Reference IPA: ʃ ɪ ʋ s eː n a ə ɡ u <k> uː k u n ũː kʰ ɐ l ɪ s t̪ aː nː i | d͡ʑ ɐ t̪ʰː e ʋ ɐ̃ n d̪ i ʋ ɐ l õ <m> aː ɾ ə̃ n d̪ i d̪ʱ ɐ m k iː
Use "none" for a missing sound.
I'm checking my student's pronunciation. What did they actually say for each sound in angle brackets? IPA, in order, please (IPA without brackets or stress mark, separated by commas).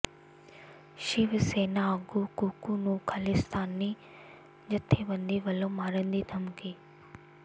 k, m